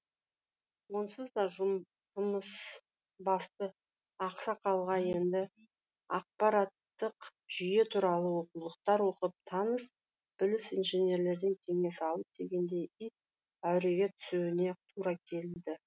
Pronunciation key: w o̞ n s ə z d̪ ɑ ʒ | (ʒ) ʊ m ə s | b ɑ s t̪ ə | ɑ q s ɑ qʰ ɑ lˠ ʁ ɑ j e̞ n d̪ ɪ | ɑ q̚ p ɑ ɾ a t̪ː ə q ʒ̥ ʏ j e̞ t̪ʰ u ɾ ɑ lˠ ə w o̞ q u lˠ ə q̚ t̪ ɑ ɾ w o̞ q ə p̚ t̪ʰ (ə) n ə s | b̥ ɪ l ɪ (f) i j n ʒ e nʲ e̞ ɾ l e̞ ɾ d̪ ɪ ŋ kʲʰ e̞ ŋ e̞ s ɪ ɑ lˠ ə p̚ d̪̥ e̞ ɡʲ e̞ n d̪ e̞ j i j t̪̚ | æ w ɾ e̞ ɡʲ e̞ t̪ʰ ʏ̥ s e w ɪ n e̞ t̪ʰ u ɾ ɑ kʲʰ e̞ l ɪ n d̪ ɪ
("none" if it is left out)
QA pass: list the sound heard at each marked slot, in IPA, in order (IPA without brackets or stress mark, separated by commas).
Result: ʒ, ɑ, s